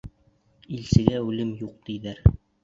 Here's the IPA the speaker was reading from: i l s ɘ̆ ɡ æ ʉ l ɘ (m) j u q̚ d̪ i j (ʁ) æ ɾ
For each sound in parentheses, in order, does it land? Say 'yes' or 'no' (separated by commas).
yes, no